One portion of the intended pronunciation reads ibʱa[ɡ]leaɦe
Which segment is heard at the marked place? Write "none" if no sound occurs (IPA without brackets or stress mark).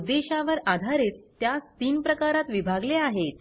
ɡ